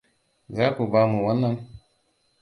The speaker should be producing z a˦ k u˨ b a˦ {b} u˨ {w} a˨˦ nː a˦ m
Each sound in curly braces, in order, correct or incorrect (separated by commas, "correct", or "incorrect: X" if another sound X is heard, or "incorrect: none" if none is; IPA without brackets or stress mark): incorrect: m, correct